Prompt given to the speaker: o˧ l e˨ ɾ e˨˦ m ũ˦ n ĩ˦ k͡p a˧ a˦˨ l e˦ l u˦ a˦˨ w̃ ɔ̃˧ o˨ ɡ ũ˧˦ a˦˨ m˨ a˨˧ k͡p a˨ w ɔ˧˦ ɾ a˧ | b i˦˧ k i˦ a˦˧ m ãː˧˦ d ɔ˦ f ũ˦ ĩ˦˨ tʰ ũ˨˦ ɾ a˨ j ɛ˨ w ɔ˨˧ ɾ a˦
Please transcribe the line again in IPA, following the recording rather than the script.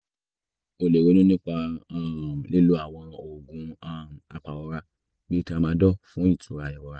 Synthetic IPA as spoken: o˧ l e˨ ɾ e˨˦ n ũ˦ n ĩ˦ k͡p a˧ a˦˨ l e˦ l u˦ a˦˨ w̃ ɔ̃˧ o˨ ɡ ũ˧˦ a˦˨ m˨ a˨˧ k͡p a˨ w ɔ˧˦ ɾ a˧ | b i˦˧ t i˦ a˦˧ m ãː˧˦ d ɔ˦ f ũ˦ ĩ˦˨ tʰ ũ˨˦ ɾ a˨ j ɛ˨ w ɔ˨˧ ɾ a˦

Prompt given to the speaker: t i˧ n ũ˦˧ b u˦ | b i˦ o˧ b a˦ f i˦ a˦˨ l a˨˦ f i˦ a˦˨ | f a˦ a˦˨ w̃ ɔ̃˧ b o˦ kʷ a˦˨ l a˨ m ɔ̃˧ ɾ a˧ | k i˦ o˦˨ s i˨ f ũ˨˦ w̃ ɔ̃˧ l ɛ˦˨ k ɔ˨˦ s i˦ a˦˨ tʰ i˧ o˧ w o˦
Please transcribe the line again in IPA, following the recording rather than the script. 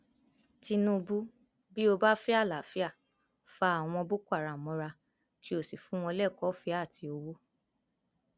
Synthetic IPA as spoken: t i˧ n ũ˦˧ b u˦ | b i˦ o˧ b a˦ f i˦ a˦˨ l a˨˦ f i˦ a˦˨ | f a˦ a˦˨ w̃ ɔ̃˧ b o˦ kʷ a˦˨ ɾ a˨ m ɔ̃˧ ɾ a˧ | k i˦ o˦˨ s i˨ f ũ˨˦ w̃ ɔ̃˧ l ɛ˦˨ k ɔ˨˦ f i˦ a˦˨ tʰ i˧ o˧ w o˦

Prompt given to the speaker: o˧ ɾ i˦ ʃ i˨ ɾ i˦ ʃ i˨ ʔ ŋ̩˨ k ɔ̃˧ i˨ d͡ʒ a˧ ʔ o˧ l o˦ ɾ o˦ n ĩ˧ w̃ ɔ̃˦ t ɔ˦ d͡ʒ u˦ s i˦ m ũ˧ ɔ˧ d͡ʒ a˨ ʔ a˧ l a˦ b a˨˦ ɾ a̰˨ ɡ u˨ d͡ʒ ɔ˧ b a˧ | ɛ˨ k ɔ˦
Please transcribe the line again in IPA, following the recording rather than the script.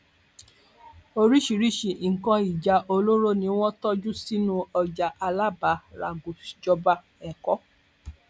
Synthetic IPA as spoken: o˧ ɾ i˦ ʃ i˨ ɾ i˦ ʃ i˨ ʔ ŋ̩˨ k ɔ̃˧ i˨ d͡ʒ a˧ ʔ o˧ l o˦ ɾ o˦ n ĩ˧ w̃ ɔ̃˦ t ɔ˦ d͡ʒ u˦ s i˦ n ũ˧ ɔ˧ d͡ʒ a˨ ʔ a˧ l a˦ b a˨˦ ɾ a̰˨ ɡ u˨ d͡ʒ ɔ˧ b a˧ | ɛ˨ k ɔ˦

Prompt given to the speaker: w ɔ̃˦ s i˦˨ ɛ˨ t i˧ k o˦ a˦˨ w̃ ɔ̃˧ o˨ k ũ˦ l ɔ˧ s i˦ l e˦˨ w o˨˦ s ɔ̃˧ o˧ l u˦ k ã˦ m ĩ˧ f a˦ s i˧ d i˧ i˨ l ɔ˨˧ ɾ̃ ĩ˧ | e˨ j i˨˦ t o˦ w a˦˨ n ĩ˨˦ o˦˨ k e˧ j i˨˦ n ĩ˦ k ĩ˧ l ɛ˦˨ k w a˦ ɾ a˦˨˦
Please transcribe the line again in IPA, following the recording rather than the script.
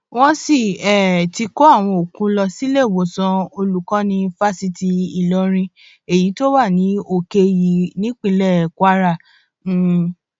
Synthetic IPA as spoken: w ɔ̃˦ s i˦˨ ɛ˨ t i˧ k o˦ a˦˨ w̃ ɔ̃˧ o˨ k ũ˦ l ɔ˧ s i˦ l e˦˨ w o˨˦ s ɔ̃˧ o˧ l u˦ k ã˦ n ĩ˧ f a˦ s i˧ t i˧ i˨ l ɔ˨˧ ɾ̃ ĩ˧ | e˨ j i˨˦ t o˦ w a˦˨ n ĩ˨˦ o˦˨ k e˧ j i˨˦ n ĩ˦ k͡p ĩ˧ l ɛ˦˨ k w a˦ ɾ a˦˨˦

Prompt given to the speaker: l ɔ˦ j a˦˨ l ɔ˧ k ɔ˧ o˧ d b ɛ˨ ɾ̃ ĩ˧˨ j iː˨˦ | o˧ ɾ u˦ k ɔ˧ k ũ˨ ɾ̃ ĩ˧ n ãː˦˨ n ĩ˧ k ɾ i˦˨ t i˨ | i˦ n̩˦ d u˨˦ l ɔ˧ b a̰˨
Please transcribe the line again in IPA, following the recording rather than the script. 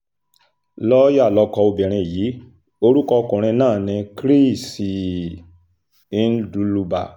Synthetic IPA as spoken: l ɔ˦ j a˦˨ l ɔ˧ k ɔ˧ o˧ b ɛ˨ ɾ̃ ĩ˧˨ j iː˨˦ | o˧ ɾ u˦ k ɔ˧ k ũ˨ ɾ̃ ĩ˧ n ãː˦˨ n ĩ˧ k ɾ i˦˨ s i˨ | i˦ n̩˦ d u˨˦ l u˧ b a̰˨

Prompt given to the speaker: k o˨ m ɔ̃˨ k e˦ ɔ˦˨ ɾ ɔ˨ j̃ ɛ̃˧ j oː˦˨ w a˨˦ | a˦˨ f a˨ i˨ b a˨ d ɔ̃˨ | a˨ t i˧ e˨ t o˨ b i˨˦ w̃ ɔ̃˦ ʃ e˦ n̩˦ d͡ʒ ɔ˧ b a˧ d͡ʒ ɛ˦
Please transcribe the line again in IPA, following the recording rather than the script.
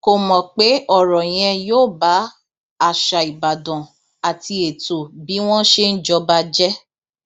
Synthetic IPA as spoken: k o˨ m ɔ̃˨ k͡p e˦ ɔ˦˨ ɾ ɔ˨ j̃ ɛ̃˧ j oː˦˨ b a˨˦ | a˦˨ ʃ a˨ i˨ b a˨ d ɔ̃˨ | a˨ t i˧ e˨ t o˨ b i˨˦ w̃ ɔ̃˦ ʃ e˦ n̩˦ d͡ʒ ɔ˧ b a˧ d͡ʒ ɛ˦

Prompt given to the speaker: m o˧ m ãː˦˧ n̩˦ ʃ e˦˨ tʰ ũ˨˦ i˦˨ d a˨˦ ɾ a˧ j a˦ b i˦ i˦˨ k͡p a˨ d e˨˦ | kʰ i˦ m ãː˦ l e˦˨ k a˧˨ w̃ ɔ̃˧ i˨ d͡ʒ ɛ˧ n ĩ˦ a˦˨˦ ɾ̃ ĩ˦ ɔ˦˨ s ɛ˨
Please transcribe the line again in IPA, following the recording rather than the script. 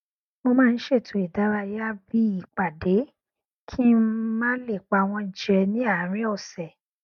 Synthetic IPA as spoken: m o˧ m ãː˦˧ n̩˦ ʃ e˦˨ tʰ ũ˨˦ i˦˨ d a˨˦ ɾ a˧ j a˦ b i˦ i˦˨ k͡p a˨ d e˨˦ | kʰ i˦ m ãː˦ l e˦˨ k͡p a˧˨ w̃ ɔ̃˧ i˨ d͡ʒ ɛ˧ n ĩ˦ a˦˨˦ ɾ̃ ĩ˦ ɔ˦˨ s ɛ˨

